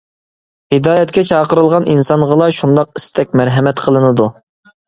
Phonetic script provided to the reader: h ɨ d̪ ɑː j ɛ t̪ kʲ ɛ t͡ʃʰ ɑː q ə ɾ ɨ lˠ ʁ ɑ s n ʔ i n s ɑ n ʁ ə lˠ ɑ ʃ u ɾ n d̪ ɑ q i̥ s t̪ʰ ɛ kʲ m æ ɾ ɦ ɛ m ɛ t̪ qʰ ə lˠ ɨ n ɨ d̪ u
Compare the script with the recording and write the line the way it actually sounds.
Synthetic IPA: h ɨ d̪ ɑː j ɛ t̪ kʲ ɛ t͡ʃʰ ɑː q ə ɾ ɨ lˠ ʁ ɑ n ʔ i n s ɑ n ʁ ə lˠ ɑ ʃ u n d̪ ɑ q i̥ s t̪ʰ ɛ kʲ m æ ɾ ɦ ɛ m ɛ t̪ qʰ ə lˠ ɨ n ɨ d̪ u